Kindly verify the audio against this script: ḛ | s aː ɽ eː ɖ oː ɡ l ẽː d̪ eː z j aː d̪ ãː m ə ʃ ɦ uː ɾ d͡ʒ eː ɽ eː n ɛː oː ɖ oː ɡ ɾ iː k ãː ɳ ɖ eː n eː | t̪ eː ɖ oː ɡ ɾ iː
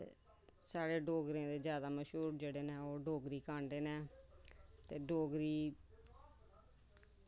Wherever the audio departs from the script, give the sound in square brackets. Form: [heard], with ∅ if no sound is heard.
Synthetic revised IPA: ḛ | s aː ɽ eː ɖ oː ɡ [ɾ] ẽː d̪ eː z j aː d̪ [aː] m ə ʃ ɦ uː ɾ d͡ʒ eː ɽ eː n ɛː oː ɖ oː ɡ ɾ iː k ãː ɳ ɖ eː n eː | t̪ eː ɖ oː ɡ ɾ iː